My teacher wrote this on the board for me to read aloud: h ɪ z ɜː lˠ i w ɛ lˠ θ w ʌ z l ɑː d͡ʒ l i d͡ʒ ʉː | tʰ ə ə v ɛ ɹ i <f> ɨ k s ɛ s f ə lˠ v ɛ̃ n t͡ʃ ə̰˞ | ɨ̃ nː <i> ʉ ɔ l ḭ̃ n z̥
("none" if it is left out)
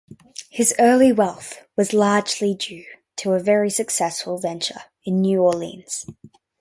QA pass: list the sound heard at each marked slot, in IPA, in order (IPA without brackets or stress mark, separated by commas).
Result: s, j